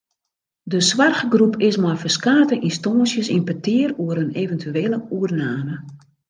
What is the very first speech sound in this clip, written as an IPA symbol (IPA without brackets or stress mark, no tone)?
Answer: d